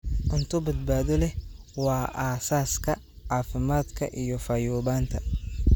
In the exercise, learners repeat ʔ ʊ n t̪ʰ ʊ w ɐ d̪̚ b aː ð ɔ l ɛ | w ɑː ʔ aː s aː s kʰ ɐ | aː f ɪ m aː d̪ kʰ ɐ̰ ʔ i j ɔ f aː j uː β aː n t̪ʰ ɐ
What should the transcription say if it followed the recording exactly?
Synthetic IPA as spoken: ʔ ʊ n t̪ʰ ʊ b ɐ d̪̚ b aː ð ɔ l ɛ | w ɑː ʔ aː s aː s kʰ ɐ | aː f ɪ m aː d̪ kʰ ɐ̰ ʔ i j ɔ f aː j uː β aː n t̪ʰ ɐ